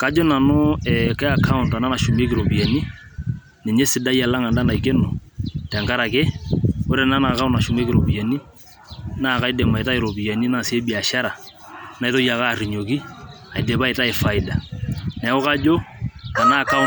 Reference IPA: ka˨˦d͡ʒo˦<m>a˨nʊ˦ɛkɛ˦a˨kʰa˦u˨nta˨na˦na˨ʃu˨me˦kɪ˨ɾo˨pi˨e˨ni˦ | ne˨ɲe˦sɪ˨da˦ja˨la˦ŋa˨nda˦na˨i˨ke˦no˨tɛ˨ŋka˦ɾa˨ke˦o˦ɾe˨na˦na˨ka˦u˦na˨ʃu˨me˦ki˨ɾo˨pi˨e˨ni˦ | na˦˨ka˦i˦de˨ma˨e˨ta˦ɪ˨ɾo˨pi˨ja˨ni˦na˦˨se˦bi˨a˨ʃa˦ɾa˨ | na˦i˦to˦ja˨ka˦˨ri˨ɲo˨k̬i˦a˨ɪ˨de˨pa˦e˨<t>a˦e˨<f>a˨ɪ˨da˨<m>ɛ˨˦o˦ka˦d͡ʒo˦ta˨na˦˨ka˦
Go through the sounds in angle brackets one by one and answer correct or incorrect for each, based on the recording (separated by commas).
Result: incorrect, correct, correct, incorrect